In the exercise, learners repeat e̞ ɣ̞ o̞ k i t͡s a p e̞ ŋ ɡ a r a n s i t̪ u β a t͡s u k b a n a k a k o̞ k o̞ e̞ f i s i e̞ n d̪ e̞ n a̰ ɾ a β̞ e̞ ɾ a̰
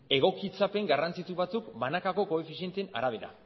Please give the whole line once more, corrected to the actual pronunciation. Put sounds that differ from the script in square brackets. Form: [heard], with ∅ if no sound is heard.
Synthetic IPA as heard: e̞ ɣ̞ o̞ k i t͡s a p e̞ ŋ ɡ a r a n [t͡s] i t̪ u β a t͡s u k b a n a k a k o̞ k o̞ e̞ f i s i e̞ n [t̪] e̞ n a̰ ɾ a β̞ e̞ ɾ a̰